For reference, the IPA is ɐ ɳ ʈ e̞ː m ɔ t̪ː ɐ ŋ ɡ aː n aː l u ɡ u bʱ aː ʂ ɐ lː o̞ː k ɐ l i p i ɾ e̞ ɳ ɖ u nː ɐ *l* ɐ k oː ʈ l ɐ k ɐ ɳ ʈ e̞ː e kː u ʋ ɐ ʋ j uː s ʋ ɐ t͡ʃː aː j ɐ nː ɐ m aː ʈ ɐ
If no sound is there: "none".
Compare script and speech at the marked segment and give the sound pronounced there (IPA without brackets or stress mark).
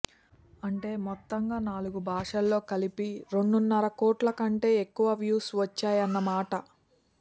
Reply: ɾ